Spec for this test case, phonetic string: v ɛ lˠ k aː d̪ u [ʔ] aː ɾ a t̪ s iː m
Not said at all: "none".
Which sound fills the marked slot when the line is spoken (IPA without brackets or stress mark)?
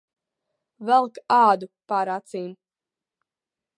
p